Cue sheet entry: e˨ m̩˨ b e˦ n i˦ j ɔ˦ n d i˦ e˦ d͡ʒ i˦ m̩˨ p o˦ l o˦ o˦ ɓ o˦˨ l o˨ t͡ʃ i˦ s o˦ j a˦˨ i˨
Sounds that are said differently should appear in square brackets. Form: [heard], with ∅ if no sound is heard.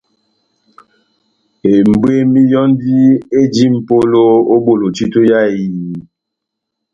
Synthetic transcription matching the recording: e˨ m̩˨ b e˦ [m] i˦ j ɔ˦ n d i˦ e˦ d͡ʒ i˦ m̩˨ p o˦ l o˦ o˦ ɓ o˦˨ l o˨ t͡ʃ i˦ [t] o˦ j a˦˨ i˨